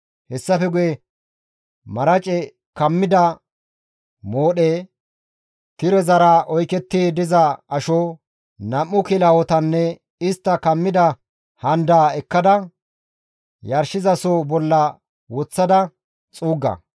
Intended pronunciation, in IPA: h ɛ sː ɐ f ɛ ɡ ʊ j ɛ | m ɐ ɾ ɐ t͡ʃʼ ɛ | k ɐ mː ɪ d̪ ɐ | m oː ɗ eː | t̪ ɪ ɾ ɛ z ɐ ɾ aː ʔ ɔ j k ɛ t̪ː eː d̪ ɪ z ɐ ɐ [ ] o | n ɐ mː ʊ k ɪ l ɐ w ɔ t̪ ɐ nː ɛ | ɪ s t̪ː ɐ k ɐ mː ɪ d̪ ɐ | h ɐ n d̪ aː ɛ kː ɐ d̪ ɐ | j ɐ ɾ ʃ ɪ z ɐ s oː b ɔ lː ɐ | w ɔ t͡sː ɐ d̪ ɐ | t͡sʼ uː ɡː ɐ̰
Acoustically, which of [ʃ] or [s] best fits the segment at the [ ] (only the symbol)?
ʃ